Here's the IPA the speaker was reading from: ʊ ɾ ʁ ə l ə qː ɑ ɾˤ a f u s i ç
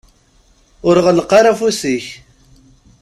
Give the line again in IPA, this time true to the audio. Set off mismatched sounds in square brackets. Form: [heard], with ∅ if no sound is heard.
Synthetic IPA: ʊ ɾ ʁ ə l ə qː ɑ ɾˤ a f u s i ç